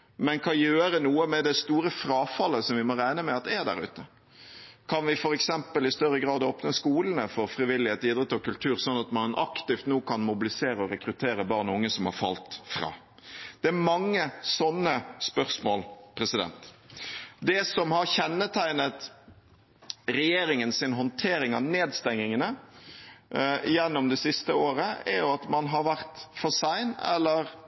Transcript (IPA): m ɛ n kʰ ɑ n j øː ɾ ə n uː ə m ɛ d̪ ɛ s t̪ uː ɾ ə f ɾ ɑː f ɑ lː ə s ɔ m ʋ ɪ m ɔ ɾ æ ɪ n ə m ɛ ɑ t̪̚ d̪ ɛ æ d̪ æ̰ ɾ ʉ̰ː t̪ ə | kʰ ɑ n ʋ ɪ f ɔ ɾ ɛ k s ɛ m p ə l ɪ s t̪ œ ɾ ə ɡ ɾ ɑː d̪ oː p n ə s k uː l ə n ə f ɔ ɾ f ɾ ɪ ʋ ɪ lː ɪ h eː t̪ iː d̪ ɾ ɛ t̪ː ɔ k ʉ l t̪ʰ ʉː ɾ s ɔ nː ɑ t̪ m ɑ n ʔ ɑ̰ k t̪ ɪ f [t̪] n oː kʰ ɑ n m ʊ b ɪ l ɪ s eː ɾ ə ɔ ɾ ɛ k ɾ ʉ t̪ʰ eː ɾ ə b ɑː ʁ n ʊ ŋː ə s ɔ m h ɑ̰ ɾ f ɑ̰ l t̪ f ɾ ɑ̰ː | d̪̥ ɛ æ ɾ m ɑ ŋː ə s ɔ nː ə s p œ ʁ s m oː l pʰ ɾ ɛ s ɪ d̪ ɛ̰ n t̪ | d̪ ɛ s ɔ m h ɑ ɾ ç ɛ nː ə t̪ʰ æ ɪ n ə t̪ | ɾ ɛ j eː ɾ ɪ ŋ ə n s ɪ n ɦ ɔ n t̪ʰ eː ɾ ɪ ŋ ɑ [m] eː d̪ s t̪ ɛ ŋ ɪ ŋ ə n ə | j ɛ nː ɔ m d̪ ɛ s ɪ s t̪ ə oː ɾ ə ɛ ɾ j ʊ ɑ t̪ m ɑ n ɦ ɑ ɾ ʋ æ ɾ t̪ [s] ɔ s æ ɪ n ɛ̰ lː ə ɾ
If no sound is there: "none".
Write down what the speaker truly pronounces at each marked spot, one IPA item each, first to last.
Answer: t̪, n, f

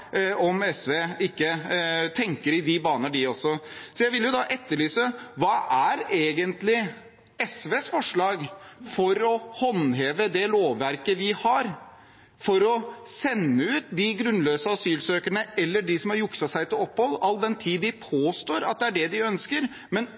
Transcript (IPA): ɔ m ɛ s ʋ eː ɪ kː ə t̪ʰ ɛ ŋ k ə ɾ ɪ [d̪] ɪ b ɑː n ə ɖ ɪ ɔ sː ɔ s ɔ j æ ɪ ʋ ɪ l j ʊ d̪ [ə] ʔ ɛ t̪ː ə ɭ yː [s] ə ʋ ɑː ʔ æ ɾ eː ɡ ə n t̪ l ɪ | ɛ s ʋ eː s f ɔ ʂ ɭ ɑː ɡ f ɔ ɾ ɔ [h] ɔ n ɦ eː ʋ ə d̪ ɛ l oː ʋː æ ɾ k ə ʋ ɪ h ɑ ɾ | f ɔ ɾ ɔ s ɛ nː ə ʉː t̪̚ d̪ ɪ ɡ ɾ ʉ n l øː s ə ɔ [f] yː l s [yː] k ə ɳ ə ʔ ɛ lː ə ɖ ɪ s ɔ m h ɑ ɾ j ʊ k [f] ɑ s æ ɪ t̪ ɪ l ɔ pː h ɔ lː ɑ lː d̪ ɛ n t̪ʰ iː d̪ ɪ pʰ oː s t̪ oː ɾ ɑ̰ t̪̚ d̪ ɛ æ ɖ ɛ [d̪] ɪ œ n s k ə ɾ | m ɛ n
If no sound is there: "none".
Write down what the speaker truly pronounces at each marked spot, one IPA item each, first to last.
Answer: d̪, ɑ, s, h, s, øː, s, d̪

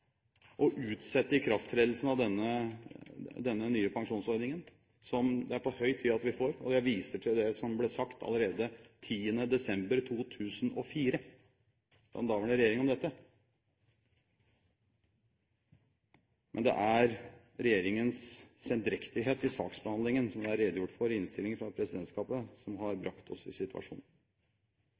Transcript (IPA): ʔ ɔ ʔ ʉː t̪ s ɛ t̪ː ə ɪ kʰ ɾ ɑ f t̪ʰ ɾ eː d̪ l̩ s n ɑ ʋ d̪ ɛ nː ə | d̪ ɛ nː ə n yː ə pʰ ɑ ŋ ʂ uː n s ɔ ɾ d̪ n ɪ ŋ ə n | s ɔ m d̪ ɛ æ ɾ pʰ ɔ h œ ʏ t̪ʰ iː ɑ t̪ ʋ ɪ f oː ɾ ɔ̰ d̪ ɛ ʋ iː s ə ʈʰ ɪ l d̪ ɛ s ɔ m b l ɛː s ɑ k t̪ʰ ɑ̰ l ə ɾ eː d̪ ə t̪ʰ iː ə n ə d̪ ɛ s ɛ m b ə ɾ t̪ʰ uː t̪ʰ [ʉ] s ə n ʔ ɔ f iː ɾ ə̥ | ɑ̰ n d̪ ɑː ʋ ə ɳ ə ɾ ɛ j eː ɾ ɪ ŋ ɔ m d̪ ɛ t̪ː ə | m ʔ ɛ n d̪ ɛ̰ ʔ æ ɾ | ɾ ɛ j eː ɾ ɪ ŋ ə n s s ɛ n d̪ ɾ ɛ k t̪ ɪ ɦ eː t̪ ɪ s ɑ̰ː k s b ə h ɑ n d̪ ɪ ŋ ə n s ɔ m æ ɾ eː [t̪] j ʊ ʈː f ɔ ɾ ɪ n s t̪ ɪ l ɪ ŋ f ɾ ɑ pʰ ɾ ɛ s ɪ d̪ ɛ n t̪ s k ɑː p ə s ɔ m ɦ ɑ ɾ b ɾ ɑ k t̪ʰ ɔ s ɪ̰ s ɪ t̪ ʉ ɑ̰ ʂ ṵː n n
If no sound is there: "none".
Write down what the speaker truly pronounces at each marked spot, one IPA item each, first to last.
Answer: ʉː, d̪

